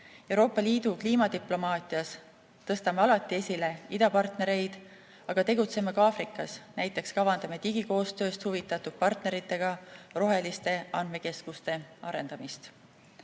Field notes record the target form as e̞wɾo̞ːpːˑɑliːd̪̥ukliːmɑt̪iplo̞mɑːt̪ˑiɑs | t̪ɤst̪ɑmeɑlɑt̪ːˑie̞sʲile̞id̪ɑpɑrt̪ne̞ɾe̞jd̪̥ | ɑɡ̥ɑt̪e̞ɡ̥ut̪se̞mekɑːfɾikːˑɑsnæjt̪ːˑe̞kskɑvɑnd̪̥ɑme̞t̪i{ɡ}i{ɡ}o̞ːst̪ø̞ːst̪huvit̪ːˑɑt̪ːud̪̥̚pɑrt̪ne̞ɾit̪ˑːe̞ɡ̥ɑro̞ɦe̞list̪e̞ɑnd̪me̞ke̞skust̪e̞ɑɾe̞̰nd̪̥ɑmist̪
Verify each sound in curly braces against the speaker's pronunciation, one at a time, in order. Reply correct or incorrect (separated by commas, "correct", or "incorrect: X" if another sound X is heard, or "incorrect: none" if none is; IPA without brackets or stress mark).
correct, incorrect: k